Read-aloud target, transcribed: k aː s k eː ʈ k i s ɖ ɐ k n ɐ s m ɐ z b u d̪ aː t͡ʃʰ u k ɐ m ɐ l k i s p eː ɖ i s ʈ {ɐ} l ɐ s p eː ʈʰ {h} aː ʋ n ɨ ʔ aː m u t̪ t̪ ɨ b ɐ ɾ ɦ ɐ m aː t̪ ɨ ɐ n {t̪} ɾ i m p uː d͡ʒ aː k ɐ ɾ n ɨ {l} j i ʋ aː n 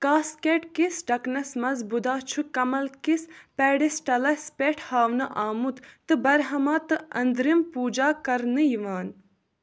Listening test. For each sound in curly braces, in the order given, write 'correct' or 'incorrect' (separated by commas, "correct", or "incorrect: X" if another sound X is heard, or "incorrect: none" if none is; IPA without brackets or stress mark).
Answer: correct, correct, incorrect: d̪, incorrect: none